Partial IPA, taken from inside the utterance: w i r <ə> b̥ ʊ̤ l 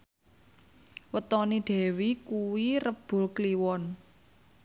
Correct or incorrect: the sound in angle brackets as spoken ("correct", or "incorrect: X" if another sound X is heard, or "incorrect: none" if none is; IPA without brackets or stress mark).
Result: correct